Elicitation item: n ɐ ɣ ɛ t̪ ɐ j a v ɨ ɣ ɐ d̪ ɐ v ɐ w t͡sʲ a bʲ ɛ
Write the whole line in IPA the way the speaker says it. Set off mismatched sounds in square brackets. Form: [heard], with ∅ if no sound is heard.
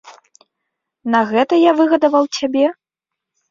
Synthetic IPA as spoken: n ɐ ɣ ɛ t̪ ɐ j a v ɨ ɣ ɐ d̪ ɐ v ɐ w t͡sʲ a bʲ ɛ